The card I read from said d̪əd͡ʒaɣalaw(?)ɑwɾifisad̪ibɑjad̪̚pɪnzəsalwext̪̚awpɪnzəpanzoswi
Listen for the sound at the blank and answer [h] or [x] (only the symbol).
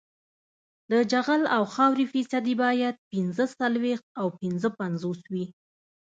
x